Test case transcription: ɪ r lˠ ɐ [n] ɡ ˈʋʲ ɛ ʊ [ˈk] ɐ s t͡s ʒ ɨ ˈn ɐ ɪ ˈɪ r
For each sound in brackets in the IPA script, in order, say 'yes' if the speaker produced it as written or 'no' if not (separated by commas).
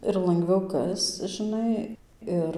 no, yes